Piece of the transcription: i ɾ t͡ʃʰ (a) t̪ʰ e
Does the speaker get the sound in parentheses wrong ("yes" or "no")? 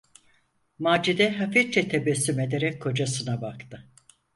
yes